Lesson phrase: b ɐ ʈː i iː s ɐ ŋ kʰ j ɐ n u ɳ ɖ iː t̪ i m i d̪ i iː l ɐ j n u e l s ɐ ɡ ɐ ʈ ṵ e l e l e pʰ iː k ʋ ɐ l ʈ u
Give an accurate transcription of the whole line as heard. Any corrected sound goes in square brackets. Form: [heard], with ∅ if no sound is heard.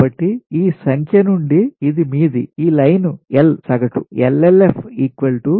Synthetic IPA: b ɐ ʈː i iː s ɐ ŋ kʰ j ɐ n u ɳ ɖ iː [d̪] i m [iː] d̪ i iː l ɐ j n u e l s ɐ ɡ ɐ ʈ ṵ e l e l e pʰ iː k ʋ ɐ l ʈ u